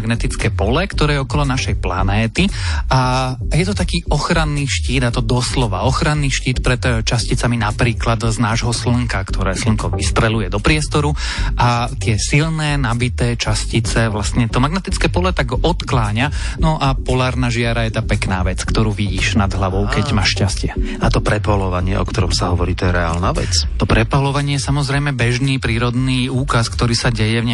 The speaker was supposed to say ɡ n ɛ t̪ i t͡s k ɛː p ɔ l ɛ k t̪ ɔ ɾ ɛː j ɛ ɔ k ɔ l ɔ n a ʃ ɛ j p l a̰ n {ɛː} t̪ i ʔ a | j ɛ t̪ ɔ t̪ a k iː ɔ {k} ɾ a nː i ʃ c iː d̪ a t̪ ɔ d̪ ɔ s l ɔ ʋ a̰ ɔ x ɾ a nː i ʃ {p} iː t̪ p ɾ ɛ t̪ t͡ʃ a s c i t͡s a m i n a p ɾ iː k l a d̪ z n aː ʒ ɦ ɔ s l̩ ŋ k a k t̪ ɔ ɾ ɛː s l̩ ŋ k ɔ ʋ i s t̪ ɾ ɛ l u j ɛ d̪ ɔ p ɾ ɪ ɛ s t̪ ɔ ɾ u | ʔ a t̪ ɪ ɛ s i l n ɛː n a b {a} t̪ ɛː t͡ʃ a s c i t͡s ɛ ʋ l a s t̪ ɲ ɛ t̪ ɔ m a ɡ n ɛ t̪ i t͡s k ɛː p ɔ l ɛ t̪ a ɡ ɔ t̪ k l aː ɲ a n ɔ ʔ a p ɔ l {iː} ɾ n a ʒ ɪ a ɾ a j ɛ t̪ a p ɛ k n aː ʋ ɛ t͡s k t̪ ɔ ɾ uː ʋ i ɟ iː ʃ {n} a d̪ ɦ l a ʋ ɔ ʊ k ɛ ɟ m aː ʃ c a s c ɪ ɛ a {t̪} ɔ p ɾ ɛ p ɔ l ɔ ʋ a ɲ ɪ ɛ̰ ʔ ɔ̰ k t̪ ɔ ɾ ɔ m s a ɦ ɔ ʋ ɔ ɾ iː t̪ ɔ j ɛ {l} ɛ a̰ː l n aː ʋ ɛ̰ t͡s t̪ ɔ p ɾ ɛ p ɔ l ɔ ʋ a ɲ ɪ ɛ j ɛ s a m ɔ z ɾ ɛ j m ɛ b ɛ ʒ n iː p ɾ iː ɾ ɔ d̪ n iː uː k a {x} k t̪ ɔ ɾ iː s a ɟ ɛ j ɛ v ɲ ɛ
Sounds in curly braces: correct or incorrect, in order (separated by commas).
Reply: correct, incorrect, incorrect, incorrect, incorrect, correct, correct, incorrect, incorrect